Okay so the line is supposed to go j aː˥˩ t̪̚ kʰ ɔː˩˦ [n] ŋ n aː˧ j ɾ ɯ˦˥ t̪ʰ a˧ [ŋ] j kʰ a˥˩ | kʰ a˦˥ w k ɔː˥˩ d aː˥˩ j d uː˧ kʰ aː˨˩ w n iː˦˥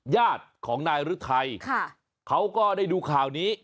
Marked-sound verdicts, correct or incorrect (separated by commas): incorrect, incorrect